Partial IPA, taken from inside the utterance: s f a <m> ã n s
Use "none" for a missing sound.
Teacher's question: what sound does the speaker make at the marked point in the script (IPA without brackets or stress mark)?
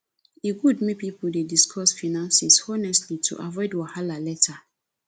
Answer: n